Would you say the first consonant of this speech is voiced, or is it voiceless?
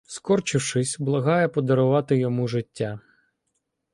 voiceless